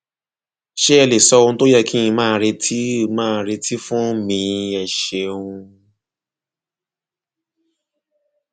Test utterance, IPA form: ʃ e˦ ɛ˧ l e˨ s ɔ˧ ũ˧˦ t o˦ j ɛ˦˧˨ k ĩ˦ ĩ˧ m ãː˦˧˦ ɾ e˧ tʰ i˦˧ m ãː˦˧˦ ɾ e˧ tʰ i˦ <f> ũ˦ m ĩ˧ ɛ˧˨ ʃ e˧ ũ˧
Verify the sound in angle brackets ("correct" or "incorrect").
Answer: correct